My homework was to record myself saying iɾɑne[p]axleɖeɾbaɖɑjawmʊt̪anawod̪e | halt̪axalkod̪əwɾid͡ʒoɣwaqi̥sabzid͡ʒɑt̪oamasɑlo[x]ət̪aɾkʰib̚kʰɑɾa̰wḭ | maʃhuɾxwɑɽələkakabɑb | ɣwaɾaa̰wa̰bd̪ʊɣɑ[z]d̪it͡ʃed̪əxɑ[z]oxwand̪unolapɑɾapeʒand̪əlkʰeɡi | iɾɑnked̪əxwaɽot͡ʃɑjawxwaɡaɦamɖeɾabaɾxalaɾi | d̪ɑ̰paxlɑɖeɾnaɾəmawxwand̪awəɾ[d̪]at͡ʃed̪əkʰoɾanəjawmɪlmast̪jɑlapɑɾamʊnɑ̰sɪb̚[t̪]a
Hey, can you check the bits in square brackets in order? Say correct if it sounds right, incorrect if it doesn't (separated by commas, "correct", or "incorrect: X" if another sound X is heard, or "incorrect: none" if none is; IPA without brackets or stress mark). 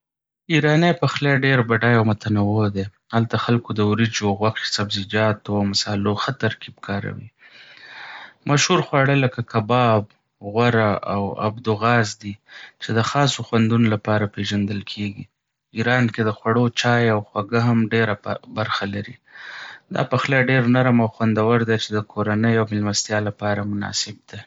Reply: correct, correct, correct, incorrect: s, correct, incorrect: d̪